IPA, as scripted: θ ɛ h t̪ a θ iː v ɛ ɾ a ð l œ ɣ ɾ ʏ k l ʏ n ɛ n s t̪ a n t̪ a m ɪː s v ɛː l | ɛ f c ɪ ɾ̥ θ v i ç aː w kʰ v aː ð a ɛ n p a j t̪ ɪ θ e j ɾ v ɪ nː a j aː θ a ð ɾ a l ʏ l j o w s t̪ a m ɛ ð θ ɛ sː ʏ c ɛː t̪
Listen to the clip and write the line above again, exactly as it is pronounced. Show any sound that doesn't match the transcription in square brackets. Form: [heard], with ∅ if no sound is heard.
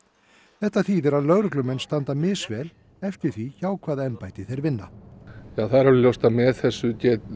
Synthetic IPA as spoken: θ ɛ h t̪ a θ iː [ð] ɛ ɾ a ð l œ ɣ ɾ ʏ k l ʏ [m] ɛ n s t̪ a n t̪ a m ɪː s v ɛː l | ɛ f c ɪ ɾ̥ θ v i ç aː w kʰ v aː ð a ɛ n p a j t̪ ɪ θ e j ɾ v ɪ nː a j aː θ a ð ɾ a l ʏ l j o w s t̪ a m ɛ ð θ ɛ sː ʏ c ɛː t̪